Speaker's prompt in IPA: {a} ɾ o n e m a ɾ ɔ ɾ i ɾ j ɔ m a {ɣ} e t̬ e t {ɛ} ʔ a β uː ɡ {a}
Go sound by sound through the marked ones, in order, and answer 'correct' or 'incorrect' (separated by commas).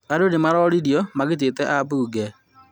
correct, correct, correct, incorrect